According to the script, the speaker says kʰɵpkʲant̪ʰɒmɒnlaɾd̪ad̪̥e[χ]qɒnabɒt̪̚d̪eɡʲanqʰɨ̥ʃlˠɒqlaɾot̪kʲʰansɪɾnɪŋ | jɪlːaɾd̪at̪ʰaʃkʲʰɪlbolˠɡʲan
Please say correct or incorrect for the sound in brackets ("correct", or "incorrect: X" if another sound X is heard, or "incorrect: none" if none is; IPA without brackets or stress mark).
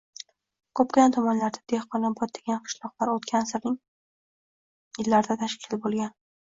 incorrect: h